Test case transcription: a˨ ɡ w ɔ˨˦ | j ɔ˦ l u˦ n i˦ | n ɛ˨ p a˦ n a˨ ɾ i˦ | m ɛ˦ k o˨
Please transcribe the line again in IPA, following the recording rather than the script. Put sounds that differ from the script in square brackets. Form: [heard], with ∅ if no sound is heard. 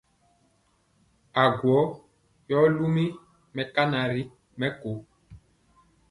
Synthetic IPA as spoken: a˨ ɡ w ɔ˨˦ | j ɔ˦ l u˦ [m] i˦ | [m] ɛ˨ [k] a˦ n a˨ ɾ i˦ | m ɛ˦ k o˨